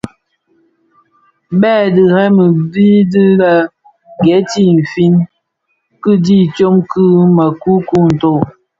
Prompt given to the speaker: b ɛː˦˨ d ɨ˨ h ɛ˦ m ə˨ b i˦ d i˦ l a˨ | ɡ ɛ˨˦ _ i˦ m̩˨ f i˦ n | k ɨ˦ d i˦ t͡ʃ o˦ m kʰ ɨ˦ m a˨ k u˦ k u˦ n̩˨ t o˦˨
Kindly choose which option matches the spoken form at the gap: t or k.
t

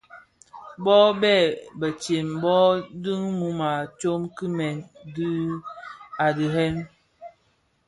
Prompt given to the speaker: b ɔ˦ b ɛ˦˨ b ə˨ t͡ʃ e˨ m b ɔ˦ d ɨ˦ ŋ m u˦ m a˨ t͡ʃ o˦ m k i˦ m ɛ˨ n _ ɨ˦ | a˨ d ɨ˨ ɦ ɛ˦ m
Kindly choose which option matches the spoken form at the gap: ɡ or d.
d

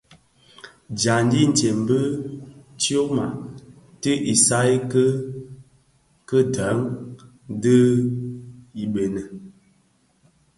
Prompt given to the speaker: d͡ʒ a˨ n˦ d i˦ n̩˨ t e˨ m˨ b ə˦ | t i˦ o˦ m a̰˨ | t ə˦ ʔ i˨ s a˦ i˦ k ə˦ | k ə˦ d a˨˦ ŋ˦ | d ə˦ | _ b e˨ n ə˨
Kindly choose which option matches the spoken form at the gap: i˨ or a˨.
i˨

